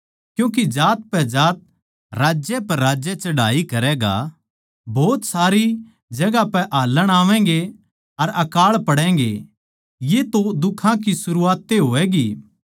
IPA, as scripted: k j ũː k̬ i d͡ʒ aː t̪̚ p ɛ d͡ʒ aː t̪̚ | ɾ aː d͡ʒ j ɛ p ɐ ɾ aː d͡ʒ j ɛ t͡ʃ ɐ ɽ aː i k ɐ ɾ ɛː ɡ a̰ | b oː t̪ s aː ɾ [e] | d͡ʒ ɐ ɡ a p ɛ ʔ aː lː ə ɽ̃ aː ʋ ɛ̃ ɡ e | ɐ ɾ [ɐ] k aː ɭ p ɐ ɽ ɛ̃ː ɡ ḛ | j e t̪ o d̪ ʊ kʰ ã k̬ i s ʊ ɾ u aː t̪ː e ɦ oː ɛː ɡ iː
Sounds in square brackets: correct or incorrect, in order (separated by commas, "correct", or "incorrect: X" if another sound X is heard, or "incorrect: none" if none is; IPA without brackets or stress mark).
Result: incorrect: i, correct